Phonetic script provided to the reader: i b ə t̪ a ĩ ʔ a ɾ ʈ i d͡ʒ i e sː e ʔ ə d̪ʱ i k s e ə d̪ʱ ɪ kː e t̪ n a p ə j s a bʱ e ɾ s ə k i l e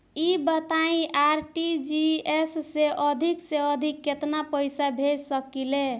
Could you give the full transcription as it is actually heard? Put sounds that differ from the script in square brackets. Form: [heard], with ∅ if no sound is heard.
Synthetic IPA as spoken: i b ə t̪ a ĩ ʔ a ɾ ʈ i d͡ʒ i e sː e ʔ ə d̪ʱ i k s e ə d̪ʱ [i] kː e t̪ n a p ə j s a bʱ e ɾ s ə k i l e

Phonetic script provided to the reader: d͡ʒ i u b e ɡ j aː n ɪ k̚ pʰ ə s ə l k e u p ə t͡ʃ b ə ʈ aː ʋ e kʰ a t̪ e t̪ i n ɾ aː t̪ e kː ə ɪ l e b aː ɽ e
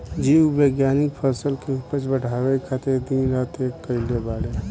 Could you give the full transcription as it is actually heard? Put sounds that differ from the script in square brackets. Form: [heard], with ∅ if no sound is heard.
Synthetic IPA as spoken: d͡ʒ i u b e ɡ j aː n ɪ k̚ pʰ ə s ə l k e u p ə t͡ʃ b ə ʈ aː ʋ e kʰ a t̪ e [d̪] i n ɾ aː t̪ e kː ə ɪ l e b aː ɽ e

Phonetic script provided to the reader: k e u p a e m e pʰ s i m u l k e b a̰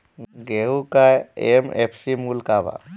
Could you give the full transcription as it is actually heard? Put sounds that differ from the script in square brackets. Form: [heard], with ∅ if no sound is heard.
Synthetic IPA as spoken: [ɡ] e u [k] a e m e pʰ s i m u l k [a] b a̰

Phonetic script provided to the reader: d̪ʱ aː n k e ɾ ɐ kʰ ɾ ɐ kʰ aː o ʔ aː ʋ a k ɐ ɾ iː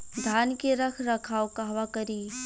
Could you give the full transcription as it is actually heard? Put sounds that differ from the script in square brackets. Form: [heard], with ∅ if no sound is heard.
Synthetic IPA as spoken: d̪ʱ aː n k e ɾ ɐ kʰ ɾ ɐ kʰ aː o [k] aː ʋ a k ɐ ɾ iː

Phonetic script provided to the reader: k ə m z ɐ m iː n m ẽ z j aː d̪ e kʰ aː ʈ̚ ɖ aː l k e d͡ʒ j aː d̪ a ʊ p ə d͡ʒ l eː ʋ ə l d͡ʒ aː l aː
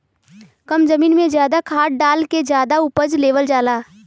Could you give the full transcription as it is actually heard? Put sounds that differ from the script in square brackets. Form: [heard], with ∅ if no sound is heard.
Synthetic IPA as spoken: k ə m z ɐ m iː n m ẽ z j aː d̪ [a] kʰ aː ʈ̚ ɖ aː l k e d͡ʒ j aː d̪ a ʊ p ə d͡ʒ l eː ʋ ə l d͡ʒ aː l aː

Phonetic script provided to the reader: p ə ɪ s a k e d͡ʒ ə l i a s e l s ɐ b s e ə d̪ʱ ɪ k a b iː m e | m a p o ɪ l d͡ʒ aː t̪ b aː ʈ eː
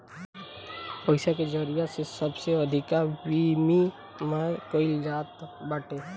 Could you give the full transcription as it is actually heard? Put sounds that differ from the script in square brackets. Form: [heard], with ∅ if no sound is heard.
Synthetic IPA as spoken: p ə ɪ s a k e d͡ʒ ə [ɾ] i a s e [∅] s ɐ b s e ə d̪ʱ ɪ k a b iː m [i] | m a [k] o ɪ l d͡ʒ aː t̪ b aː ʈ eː

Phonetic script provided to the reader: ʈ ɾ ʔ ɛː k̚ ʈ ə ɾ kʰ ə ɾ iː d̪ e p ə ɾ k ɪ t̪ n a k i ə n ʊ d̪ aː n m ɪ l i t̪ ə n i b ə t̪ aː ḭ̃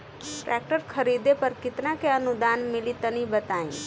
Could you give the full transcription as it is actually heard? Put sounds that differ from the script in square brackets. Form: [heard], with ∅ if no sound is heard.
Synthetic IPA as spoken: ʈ ɾ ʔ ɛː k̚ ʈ ə ɾ kʰ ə ɾ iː d̪ e p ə ɾ k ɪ t̪ n a k [e] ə n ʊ d̪ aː n m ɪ l i t̪ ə n i b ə t̪ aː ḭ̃

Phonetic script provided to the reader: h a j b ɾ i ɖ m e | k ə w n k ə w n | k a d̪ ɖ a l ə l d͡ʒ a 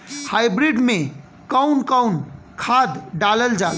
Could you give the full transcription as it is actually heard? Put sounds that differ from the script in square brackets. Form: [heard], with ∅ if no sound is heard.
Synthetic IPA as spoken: h a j b ɾ i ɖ m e | k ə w n k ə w n | [kʰ] a d̪ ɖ a l ə l d͡ʒ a

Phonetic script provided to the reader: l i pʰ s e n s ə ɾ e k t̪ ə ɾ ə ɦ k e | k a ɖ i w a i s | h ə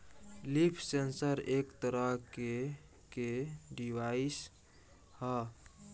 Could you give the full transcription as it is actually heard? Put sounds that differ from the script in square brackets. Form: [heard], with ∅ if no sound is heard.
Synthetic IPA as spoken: l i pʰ s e n s ə ɾ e k t̪ ə ɾ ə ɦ k e | k [e] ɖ i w a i s | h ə

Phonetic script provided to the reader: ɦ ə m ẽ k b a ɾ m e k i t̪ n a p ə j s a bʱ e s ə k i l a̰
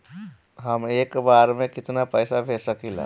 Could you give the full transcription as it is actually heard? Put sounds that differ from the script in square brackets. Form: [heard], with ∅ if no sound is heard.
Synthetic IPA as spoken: ɦ ə m [e] k b a ɾ m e k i t̪ n a p ə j s a bʱ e s ə k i l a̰

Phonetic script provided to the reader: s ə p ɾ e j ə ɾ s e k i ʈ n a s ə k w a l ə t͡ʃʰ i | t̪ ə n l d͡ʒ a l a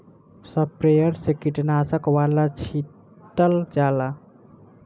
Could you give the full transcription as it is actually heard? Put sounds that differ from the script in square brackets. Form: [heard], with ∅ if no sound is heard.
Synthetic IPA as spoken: s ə p ɾ e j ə ɾ s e k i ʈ n a s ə k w a l [a] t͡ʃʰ i | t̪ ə [∅] l d͡ʒ a l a

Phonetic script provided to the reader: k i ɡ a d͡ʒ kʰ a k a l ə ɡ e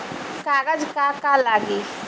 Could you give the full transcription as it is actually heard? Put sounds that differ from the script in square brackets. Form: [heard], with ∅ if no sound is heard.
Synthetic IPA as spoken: k [a] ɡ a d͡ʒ [k] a k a l [a] ɡ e

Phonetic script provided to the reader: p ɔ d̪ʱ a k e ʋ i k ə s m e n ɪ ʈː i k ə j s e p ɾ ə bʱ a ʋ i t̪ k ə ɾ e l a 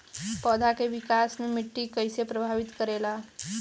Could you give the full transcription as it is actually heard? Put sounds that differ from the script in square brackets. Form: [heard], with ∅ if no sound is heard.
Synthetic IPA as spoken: p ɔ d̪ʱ a k e ʋ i k [a] s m e [m] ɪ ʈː i k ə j s e p ɾ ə bʱ a ʋ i t̪ k ə ɾ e l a

